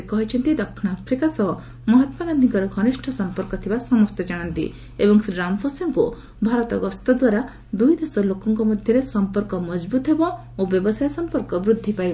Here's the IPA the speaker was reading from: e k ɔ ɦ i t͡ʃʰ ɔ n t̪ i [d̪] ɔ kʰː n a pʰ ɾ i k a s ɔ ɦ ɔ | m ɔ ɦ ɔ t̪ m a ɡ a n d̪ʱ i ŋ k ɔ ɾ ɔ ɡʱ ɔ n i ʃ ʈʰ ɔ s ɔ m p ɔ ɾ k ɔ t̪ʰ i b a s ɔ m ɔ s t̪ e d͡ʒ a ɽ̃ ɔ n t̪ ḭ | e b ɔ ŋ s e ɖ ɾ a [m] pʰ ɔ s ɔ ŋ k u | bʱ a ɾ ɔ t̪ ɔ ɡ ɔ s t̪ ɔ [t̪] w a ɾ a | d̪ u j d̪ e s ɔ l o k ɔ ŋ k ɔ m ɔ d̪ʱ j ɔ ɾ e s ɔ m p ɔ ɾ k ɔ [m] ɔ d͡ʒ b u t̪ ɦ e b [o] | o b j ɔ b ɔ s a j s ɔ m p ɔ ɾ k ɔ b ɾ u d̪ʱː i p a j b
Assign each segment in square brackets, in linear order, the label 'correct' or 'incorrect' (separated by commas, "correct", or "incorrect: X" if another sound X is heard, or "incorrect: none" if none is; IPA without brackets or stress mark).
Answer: correct, correct, incorrect: d̪, correct, incorrect: ɔ